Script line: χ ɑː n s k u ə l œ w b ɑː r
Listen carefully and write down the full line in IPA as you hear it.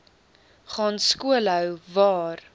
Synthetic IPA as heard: χ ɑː n s k u ə l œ w v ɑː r